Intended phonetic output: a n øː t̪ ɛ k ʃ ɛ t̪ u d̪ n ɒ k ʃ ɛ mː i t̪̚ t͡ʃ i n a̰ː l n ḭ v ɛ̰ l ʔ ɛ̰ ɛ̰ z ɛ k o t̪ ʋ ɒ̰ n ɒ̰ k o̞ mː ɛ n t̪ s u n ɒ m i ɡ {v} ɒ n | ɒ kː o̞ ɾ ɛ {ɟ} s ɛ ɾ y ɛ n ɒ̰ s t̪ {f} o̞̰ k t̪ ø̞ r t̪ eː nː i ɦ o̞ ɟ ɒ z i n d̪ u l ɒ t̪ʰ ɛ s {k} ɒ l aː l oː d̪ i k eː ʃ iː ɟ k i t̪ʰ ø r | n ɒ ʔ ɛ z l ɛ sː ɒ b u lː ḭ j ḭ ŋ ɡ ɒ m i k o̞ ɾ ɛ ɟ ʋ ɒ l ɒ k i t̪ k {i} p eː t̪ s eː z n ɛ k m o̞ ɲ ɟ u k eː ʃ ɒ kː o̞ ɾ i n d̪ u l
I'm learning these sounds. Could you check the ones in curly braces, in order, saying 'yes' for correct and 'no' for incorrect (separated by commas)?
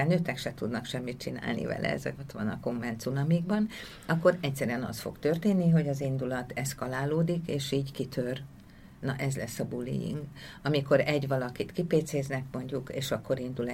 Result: no, no, yes, yes, yes